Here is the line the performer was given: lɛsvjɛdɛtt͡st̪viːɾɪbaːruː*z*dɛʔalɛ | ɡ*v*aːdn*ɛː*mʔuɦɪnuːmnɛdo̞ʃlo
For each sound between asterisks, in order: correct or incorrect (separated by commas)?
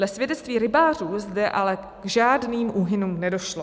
correct, incorrect, incorrect